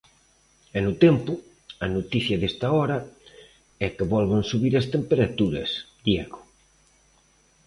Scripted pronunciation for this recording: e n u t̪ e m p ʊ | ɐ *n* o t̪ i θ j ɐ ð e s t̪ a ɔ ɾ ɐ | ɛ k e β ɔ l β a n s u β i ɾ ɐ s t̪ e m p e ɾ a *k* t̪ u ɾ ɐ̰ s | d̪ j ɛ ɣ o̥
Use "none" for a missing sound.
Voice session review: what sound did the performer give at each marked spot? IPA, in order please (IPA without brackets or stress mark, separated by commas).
n, none